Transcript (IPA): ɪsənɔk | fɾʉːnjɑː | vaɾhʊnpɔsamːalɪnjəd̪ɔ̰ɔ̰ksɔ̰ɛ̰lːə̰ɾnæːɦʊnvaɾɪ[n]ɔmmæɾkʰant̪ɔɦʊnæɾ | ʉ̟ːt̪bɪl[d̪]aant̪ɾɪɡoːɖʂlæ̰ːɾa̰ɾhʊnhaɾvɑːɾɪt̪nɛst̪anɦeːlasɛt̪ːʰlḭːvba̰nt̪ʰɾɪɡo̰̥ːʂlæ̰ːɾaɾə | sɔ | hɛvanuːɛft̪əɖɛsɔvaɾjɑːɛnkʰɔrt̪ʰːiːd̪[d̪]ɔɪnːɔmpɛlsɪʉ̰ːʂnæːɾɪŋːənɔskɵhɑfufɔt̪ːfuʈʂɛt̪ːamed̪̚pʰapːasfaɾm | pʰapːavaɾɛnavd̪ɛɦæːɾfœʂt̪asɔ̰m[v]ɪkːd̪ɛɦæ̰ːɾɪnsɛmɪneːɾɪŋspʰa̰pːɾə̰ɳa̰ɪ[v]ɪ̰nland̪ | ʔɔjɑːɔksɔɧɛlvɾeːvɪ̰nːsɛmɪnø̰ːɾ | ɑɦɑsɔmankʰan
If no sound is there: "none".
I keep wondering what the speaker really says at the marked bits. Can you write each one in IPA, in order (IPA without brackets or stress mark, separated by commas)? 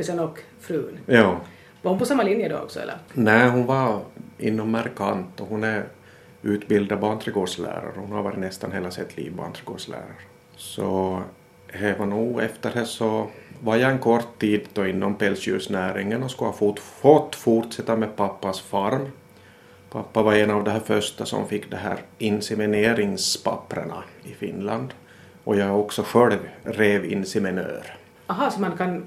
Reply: nː, d̪, d̪, f, f